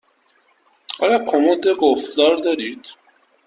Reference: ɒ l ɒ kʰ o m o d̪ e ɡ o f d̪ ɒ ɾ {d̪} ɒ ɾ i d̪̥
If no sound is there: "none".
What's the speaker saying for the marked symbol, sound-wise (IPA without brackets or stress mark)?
d̪